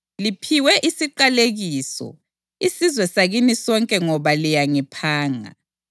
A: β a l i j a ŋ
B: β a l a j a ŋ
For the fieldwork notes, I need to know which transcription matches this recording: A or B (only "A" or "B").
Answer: A